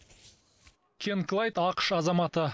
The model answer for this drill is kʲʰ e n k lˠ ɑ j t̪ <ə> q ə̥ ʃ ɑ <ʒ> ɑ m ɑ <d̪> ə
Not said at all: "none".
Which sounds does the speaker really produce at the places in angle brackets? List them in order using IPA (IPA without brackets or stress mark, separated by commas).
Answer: ɑ, z, t̪